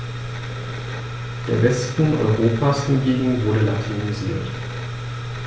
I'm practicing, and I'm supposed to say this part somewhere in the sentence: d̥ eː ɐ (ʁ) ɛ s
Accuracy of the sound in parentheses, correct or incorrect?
incorrect